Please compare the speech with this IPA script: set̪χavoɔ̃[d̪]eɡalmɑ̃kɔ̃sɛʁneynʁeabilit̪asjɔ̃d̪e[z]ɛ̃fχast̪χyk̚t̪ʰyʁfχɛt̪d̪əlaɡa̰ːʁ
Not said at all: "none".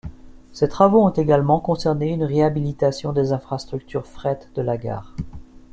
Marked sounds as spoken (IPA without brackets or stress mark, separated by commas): t̪, z